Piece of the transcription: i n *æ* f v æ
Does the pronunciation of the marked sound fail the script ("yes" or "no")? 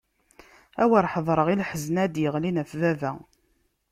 no